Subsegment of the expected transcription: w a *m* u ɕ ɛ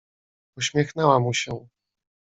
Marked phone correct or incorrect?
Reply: correct